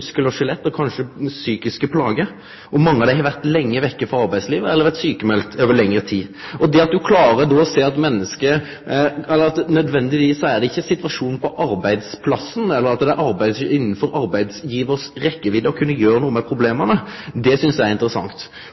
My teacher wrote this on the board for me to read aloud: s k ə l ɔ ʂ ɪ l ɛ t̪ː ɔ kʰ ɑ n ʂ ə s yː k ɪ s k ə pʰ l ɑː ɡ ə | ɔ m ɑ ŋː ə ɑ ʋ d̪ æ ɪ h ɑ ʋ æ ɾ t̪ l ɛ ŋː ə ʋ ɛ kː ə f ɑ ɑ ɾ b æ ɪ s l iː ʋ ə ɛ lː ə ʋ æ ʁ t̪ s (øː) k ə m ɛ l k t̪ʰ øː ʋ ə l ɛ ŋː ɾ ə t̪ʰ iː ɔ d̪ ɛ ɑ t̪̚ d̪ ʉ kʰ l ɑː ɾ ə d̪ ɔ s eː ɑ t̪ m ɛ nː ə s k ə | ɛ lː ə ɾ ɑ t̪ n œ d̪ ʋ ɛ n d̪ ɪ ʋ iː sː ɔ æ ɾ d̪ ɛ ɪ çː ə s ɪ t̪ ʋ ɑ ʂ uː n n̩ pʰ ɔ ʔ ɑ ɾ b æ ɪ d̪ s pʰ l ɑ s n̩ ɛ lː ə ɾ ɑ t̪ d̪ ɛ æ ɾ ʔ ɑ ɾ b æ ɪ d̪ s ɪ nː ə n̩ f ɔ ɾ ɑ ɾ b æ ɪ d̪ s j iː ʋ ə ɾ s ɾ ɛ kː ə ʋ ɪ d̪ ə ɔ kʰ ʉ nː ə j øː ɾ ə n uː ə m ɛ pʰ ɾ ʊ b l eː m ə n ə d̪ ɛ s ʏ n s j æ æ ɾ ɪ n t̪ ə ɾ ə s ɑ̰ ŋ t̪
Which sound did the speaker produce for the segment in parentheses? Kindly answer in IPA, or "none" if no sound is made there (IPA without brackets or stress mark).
yː